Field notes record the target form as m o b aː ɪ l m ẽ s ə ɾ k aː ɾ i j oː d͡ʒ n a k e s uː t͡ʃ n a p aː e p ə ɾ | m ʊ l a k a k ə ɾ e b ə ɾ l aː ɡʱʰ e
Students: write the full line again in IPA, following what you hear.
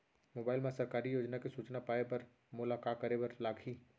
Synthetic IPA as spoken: m o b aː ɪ l m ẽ s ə ɾ k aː ɾ i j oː d͡ʒ n a k e s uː t͡ʃ n a p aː e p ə ɾ | m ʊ l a k a k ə ɾ e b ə ɾ l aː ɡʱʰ i

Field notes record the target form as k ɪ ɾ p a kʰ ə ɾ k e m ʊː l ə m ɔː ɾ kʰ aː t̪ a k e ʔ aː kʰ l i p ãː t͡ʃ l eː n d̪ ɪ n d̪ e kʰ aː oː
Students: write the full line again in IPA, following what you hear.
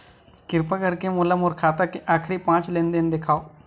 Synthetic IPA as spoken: k ɪ ɾ p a k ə ɾ k e m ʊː l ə m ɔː ɾ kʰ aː t̪ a k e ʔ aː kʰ ɾ i p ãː t͡ʃ l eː n d̪ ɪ n d̪ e kʰ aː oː

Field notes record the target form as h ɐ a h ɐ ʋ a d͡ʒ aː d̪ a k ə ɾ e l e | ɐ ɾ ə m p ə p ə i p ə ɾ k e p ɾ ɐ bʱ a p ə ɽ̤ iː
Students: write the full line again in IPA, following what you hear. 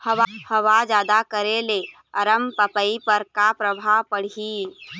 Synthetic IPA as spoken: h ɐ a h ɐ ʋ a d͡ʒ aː d̪ a k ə ɾ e l e | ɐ ɾ ə m p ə p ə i p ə ɾ k a p ɾ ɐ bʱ a p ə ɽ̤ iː

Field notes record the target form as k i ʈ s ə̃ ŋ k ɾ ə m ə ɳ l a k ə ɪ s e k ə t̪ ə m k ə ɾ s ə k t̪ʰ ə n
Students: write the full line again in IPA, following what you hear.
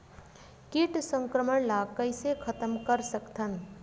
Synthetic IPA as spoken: k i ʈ s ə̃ ŋ k ɾ ə m ə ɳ l a k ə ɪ s e kʰ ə t̪ ə m k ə ɾ s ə k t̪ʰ ə n

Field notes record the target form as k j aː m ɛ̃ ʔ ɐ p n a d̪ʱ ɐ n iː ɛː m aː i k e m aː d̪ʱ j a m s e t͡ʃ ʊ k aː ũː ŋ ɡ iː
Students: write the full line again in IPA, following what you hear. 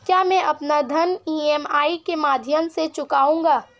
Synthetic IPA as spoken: k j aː m ɛ̃ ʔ ɐ p n a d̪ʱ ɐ n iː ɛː m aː i k e m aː d̪ʱ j ə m s e t͡ʃ ʊ k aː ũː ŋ ɡ aː

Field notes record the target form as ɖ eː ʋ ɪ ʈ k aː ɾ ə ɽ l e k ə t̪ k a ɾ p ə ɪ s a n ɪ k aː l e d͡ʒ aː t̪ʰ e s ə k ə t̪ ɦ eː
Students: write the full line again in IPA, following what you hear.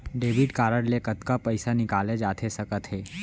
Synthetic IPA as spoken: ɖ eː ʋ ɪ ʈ k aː ɾ ə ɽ l e k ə t̪ k a p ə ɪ s a n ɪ k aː l e d͡ʒ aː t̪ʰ e s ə k ə t̪ ɦ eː

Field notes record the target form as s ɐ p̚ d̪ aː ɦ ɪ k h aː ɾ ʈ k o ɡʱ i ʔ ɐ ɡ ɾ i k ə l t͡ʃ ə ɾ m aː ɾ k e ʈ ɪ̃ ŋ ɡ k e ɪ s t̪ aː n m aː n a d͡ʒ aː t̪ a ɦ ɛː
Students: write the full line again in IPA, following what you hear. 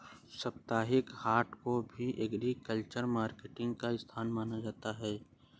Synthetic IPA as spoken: s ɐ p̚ t̪ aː ɦ ɪ k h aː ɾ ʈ k o bʱ i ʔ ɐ ɡ ɾ i k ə l t͡ʃ ə ɾ m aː ɾ k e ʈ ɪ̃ ŋ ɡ k a ɪ s t̪ʰ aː n m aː n a d͡ʒ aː t̪ a ɦ ɛː

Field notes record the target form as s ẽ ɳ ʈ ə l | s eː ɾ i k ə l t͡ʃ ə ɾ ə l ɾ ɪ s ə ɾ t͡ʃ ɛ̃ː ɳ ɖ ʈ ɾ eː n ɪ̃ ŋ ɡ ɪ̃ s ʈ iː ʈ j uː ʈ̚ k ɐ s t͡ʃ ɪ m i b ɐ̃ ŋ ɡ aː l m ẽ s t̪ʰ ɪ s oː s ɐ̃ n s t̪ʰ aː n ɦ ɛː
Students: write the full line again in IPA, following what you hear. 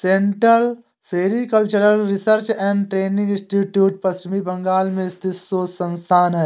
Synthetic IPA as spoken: s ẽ ɳ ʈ ə l | s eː ɾ i k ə l t͡ʃ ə ɾ ə l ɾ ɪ s ə ɾ t͡ʃ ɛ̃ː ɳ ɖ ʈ ɾ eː n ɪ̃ ŋ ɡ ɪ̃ s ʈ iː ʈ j uː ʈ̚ p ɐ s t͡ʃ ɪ m i b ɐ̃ ŋ ɡ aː l m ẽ s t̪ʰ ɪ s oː s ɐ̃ n s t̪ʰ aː n ɦ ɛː

